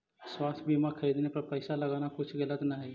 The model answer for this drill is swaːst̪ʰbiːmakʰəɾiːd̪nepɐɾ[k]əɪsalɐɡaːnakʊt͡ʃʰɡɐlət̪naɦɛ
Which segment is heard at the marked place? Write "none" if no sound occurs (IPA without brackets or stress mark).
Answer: p